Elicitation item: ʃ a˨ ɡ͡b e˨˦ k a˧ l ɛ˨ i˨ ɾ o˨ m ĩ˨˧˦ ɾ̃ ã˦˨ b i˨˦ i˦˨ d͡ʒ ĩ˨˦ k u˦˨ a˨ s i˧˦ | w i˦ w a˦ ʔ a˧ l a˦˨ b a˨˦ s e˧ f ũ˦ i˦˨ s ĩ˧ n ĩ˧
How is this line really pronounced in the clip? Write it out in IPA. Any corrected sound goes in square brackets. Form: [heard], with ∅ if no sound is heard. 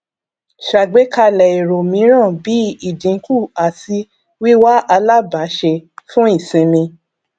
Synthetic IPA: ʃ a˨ ɡ͡b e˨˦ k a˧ l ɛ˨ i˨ ɾ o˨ m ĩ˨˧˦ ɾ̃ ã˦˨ b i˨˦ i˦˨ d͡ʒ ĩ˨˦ k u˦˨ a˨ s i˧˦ | w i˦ w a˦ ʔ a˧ l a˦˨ b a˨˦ [ʃ] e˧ f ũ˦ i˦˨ s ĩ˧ n ĩ˧